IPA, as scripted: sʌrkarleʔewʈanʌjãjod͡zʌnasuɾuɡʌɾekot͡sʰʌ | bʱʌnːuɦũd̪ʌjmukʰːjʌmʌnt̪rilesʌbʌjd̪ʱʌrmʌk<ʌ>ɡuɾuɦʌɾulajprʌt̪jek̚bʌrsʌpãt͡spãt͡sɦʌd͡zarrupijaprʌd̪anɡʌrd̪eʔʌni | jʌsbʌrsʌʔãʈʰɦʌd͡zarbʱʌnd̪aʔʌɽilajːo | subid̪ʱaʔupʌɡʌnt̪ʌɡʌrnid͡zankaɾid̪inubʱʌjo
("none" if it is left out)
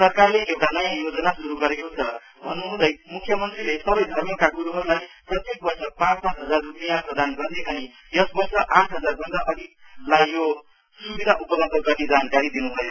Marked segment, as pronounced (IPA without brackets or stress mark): a